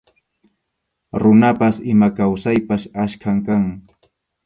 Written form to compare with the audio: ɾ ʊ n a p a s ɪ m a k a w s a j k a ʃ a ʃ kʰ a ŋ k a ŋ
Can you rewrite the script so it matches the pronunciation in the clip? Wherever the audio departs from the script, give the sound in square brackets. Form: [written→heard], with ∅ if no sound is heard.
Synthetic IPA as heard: ɾ ʊ n a p a s ɪ m a k a w s a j [k→p] a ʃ a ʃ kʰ a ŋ k a ŋ